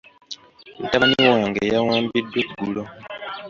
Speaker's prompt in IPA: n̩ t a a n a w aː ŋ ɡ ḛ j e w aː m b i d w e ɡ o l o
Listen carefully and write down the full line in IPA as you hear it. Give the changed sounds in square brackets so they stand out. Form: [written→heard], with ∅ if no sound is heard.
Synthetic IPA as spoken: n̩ t a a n [a→i] w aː ŋ ɡ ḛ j [e→a] w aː m b i d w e ɡ [o→u] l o